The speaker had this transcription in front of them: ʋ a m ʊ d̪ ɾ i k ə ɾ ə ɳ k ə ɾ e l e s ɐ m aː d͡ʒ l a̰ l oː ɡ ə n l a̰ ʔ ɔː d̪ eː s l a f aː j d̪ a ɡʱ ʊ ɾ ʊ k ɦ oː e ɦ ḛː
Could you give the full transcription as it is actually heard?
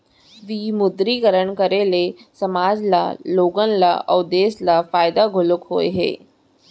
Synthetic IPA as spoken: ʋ i m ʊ d̪ ɾ i k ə ɾ ə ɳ k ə ɾ e l e s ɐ m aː d͡ʒ l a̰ l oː ɡ ə n l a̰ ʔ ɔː d̪ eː s l a f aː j d̪ a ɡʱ ʊ l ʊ k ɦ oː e ɦ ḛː